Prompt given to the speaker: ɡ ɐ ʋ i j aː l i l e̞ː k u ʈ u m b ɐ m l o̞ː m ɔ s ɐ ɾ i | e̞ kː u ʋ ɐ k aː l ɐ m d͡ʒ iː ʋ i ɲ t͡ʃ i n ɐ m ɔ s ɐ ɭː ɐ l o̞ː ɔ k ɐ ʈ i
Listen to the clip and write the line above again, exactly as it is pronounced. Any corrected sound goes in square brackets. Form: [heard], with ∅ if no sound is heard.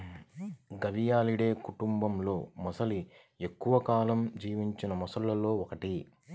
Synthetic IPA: ɡ ɐ ʋ i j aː l i [ɽ] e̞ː k u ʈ u m b ɐ m l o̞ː m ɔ s ɐ [l] i | e̞ kː u ʋ ɐ k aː l ɐ m d͡ʒ iː ʋ i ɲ t͡ʃ i n ɐ m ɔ s ɐ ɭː ɐ l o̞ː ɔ k ɐ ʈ i